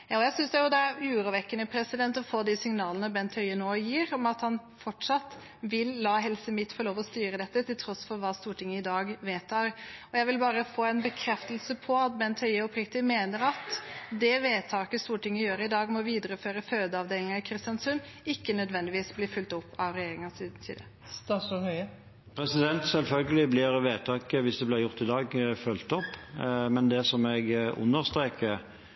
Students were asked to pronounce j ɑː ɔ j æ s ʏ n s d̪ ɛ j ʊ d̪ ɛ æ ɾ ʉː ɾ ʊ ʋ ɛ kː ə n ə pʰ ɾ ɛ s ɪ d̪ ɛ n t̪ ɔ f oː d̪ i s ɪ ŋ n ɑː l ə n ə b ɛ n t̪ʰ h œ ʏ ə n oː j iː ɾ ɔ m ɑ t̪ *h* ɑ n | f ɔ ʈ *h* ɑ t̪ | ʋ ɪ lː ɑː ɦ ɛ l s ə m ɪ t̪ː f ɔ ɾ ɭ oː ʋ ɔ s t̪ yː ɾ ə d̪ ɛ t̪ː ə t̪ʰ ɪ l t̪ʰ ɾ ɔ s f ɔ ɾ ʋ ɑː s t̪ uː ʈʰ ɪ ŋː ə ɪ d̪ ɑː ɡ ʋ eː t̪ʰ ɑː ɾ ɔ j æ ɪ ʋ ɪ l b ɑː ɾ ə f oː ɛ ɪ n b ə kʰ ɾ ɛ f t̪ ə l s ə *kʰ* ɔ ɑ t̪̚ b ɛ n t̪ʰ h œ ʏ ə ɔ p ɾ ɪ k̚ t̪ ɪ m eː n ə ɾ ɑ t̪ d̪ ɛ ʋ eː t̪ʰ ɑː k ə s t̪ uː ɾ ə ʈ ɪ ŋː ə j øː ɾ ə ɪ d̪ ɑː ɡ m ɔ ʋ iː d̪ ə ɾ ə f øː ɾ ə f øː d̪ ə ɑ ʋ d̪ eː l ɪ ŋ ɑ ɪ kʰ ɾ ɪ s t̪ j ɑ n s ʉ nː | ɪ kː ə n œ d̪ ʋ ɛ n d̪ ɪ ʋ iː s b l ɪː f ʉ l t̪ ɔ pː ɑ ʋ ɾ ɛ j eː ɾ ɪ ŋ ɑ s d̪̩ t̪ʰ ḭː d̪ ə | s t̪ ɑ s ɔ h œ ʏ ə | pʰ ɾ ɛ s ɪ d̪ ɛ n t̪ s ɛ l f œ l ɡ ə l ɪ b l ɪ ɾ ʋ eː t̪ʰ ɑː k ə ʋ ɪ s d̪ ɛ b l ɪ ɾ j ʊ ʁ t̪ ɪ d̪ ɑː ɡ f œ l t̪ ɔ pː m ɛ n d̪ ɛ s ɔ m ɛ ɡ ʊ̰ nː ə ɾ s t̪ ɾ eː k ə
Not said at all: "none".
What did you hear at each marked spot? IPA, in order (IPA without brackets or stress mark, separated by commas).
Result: h, ʂ, pʰ